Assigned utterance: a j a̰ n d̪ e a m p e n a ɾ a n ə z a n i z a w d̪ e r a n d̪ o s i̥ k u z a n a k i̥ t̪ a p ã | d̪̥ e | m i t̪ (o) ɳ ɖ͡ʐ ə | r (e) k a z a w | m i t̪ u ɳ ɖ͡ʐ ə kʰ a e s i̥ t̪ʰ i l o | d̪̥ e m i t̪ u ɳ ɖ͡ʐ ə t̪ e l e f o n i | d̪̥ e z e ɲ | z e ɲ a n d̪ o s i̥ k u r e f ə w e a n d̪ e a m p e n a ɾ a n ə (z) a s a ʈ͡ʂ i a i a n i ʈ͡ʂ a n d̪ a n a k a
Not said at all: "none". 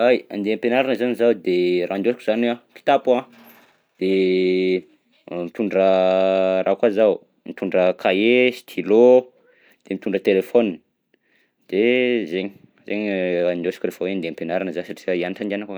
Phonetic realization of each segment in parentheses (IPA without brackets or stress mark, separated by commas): u, a, z